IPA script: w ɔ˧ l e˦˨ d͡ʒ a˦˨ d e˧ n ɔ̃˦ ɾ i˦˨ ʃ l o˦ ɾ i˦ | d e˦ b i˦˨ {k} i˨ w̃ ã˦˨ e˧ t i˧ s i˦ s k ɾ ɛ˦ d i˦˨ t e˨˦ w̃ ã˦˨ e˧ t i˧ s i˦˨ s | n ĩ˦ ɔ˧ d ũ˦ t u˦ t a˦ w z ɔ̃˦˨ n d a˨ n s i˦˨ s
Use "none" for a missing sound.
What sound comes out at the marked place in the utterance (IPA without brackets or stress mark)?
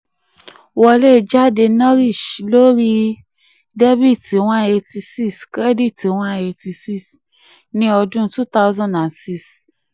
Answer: t